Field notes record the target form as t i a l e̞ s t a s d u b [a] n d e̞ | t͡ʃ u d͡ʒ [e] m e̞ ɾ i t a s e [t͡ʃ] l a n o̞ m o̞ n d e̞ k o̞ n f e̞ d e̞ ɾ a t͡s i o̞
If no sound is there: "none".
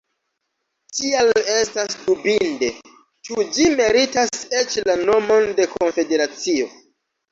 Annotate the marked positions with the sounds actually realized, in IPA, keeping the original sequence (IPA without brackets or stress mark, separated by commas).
i, i, t͡ʃ